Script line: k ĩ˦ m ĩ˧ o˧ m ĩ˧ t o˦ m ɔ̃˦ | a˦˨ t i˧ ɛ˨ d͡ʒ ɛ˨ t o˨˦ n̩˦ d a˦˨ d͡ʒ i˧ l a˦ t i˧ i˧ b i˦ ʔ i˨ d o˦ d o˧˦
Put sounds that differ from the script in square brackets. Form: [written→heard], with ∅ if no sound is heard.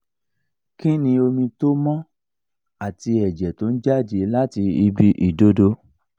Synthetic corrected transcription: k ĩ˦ [m→n] ĩ˧ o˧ m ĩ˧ t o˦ m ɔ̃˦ | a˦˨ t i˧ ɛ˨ d͡ʒ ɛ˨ t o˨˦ n̩˦ [d→d͡ʒ] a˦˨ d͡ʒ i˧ l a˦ t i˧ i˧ b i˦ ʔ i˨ d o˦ d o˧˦